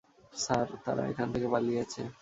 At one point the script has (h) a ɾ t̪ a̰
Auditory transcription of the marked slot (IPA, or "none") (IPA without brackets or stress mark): s